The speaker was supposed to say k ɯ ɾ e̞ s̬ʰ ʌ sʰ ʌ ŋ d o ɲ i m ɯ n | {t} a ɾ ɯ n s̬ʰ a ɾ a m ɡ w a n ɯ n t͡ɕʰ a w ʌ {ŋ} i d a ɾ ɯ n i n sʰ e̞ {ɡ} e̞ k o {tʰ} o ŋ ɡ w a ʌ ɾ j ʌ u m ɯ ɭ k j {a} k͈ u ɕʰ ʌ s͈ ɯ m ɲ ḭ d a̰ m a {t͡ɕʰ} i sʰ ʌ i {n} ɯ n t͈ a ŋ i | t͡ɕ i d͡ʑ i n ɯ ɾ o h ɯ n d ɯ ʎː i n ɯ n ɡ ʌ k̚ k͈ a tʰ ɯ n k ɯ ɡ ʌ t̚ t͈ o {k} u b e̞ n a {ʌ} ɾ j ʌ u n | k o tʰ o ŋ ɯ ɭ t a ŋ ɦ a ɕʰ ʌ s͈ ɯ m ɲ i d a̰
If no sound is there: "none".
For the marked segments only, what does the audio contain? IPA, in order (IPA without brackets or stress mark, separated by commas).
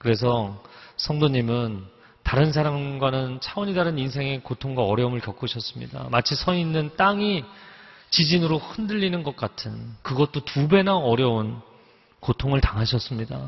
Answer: t, ɲ, ŋ, tʰ, ʌ, t͡ɕʰ, nː, t, ʌ